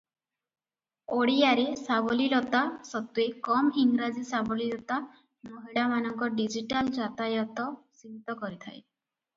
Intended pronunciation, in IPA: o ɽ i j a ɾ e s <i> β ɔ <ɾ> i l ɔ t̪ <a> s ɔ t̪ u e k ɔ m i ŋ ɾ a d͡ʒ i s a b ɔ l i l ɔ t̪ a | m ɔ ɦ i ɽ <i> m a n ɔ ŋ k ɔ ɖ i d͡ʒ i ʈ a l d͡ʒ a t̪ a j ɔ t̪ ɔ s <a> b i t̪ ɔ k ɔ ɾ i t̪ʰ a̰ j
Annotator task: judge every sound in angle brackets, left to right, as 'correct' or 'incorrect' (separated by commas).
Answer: incorrect, incorrect, correct, incorrect, incorrect